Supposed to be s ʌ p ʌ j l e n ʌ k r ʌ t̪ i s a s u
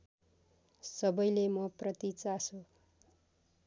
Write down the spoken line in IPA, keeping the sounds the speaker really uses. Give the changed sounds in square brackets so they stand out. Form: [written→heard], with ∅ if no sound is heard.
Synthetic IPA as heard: s ʌ [p→b] ʌ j l e [n→m] ʌ [k→p] r ʌ t̪ i [s→t͡s] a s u